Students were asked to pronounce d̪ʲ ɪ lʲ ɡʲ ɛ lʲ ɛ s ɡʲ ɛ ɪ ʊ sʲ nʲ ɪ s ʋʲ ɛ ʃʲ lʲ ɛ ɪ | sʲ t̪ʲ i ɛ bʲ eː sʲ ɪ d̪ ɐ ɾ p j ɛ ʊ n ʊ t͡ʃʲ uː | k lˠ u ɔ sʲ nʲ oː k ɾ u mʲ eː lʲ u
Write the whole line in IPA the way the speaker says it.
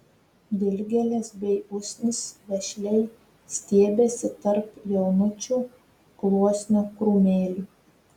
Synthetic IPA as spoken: d̪ʲ ɪ lʲ ɡʲ ɛ lʲ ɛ s bʲ ɛ ɪ ʊ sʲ nʲ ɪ s ʋʲ ɛ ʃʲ lʲ ɛ ɪ | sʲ t̪ʲ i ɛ bʲ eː sʲ ɪ t̪ ɐ ɾ p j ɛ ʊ n ʊ t͡ʃʲ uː | k lˠ u ɔ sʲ nʲ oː k ɾ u mʲ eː lʲ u